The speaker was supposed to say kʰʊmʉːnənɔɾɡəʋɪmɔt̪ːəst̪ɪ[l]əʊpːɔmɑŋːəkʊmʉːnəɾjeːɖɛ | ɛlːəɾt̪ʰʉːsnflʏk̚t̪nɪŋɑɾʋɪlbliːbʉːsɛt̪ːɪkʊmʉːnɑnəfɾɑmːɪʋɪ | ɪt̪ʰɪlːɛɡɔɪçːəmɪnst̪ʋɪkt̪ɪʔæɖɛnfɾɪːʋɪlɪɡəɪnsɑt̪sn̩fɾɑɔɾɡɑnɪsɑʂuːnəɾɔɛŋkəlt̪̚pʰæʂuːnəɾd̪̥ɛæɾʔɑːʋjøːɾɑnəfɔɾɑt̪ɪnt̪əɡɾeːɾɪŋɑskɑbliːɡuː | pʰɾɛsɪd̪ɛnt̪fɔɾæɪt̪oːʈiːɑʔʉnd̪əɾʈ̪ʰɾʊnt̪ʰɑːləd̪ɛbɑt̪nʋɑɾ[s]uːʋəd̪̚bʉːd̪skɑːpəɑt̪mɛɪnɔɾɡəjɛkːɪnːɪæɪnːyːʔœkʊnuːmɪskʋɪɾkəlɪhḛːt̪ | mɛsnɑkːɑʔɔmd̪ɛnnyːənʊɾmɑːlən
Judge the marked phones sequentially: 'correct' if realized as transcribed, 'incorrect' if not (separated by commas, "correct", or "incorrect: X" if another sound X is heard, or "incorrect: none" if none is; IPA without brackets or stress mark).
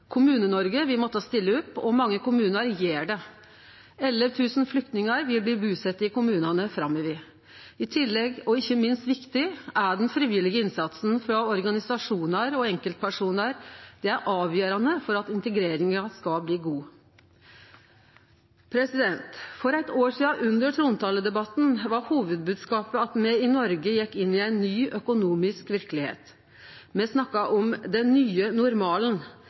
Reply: incorrect: lː, incorrect: h